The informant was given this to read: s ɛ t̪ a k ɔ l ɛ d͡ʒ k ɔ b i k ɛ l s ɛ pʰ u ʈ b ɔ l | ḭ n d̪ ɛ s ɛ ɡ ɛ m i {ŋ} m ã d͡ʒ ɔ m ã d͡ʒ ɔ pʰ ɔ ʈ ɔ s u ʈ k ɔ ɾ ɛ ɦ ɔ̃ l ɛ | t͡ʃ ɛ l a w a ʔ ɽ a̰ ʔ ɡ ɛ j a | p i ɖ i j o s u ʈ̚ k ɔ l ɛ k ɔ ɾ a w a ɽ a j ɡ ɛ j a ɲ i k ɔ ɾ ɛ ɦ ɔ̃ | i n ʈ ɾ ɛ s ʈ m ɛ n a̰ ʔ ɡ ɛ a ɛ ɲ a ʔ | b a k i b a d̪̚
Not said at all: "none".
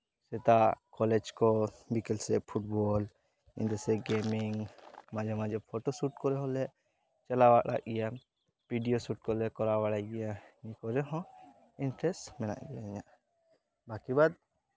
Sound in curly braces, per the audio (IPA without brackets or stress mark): ŋ